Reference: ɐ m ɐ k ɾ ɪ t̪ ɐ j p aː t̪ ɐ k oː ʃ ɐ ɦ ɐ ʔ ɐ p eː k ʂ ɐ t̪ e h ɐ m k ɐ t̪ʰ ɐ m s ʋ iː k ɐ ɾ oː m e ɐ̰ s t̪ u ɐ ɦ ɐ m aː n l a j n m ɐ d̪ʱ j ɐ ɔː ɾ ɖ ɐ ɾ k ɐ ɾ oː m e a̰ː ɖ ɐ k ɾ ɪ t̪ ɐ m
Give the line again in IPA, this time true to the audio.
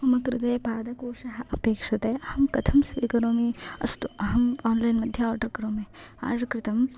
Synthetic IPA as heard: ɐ m ɐ k ɾ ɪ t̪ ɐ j p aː d̪ ɐ k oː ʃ ɐ ɦ ɐ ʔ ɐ p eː k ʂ ɐ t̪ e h ɐ m k ɐ t̪ʰ ɐ m s ʋ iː k ɐ ɾ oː m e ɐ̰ s t̪ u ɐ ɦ ɐ m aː n l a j n m ɐ d̪ʱ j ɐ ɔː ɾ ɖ ɐ ɾ k ɐ ɾ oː m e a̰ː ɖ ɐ k ɾ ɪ t̪ ɐ m